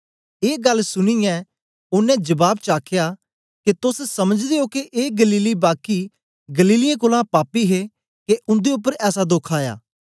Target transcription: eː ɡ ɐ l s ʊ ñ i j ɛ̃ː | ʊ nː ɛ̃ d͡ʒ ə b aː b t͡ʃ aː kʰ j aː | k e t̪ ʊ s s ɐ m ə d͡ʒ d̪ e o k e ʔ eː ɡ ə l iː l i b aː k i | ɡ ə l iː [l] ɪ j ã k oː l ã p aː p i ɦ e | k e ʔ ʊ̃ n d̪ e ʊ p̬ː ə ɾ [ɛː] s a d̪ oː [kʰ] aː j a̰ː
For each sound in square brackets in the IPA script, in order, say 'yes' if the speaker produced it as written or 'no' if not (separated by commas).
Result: yes, yes, yes